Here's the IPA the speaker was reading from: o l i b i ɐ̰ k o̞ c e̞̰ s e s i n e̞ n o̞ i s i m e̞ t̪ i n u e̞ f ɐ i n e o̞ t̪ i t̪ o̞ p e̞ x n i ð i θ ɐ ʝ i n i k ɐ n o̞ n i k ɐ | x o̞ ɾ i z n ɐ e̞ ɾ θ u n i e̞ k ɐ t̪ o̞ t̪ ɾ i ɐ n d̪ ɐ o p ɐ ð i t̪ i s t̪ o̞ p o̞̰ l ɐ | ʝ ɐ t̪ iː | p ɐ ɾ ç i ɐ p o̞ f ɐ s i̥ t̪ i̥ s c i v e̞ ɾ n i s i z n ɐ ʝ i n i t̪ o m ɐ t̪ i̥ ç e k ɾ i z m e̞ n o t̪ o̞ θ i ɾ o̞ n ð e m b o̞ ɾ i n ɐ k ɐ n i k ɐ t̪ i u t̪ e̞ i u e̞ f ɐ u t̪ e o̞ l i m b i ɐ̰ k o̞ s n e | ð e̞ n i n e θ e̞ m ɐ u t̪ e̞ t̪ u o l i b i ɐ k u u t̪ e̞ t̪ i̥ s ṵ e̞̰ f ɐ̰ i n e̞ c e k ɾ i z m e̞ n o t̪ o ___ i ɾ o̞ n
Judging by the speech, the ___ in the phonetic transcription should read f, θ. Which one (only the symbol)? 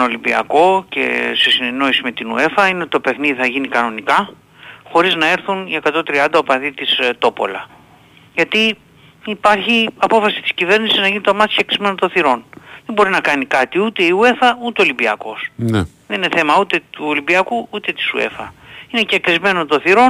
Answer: θ